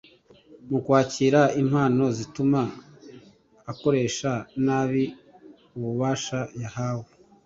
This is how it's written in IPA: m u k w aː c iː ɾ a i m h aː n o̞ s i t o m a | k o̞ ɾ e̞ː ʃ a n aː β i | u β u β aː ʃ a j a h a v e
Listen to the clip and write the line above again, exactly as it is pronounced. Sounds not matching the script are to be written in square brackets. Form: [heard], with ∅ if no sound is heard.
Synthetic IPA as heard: m u k w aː c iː ɾ a i m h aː n o̞ [z] i t [u] m a | k o̞ ɾ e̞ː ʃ a n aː β i | u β u β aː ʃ a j a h a [w] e